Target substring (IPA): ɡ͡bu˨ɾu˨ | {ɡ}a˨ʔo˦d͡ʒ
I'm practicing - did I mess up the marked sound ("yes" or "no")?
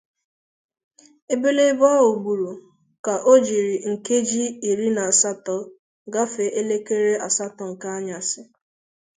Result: yes